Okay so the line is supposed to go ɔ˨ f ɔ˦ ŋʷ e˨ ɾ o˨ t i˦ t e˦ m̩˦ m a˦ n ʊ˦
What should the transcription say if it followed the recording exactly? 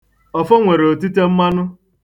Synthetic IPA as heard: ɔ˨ f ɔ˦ ŋʷ e˨ ɾ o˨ t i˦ t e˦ m̩˦ m a˦ n ʊ˦